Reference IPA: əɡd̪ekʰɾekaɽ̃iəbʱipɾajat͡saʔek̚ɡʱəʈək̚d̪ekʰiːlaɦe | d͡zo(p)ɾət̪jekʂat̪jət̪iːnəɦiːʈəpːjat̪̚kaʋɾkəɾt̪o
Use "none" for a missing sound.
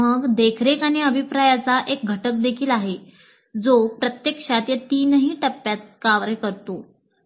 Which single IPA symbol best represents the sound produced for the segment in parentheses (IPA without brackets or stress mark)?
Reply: p